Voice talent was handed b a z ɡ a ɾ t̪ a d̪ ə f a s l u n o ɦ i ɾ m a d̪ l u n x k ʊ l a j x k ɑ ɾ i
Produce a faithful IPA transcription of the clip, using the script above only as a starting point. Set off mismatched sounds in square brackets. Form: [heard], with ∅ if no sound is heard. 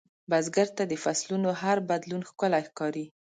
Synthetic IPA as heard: b a z ɡ a ɾ t̪ a d̪ ə f a s l u n o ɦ [a] ɾ [b] a d̪ l u n x k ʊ l a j x k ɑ ɾ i

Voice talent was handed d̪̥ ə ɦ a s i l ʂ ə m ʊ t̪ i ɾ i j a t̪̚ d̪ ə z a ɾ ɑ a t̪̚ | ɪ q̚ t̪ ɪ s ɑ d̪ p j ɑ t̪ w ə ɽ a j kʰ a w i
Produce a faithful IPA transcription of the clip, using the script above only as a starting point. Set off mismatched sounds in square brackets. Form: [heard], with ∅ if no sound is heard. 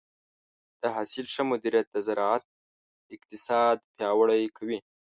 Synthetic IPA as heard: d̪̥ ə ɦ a s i l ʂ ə m ʊ [d̪] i ɾ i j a t̪̚ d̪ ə z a ɾ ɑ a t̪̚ | ɪ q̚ t̪ ɪ s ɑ d̪ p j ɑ [∅] w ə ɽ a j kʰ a w i

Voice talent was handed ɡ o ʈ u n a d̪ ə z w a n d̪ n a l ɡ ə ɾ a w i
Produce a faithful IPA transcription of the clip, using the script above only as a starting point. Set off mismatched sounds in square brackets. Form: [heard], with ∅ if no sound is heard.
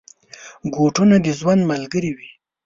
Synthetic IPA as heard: ɡ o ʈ u n a d̪ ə z w a n d̪ [m] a l ɡ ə ɾ [i] w i

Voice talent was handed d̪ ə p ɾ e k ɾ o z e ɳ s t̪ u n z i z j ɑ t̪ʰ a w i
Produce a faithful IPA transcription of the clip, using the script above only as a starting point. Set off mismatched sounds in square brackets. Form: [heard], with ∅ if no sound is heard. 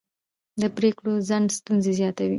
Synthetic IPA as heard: d̪ ə p ɾ e k [ɽ] o z [a] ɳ s t̪ u n z [e] z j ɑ [t̪] a w i

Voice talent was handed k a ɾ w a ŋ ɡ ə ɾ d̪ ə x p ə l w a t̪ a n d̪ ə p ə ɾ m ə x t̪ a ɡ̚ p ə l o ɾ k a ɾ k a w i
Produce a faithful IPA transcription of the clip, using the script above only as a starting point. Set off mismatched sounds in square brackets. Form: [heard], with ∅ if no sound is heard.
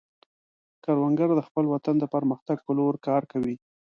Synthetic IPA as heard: k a ɾ w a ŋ ɡ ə ɾ d̪ ə x p ə l w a t̪ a n d̪ ə p ə ɾ m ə x t̪ a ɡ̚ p ə l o ɾ k [ɑ] ɾ k a w i

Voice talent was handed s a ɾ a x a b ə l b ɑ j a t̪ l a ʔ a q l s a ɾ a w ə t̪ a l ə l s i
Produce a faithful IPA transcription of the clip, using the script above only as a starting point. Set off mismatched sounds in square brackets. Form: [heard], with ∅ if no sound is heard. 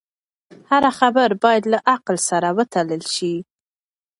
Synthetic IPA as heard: [h] a ɾ a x a b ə [ɾ] b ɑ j a [d̪] l a ʔ a q l s a ɾ a w ə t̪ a l ə l [ʃ] i

